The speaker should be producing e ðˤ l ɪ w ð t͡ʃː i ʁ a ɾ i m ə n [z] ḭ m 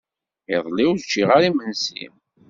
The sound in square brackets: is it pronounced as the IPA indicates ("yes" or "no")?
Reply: no